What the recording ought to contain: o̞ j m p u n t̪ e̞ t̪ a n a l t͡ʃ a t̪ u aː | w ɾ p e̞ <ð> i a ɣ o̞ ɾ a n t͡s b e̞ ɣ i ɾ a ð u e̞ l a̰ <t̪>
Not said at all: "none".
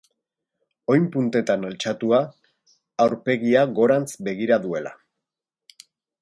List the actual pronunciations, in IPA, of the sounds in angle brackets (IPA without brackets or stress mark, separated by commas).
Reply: ɣ, none